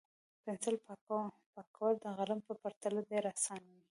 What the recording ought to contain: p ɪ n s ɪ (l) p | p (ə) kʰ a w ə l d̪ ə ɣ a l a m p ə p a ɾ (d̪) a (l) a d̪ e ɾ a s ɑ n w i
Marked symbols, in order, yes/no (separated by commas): yes, no, no, yes